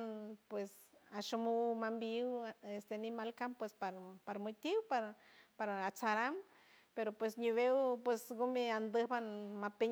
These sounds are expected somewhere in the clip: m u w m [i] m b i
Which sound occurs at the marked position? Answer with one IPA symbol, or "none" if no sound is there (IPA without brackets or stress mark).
a